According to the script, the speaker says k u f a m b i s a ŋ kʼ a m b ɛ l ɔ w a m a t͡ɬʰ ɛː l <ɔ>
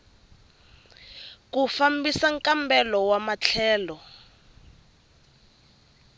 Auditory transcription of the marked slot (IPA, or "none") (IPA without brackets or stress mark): ɔ